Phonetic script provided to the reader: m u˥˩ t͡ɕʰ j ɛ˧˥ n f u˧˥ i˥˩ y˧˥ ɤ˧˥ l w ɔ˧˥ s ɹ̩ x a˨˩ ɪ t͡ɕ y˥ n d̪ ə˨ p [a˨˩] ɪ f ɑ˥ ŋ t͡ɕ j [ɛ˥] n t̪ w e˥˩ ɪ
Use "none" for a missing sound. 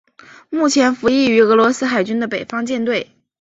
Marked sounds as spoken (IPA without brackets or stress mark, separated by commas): e˨˩, ɛ˥˧